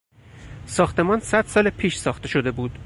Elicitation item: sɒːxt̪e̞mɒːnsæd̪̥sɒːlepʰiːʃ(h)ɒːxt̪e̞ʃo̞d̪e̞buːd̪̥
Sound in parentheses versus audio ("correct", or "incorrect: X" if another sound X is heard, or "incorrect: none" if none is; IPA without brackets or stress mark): incorrect: s